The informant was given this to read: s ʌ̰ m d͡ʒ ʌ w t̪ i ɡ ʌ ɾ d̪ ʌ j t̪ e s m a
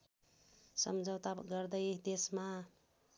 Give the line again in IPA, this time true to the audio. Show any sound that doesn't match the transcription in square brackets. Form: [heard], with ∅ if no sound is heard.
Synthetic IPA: s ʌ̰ m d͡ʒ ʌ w t̪ [a] ɡ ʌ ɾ d̪ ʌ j [d̪] e s m a